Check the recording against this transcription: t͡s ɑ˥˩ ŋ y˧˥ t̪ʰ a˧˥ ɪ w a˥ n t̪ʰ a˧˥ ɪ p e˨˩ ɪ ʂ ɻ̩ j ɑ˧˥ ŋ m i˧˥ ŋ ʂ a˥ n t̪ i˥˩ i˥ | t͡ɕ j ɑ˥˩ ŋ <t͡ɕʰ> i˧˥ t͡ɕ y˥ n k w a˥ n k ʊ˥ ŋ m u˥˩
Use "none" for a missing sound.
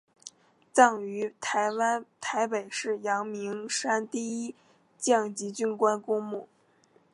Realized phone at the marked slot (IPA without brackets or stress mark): t͡ɕ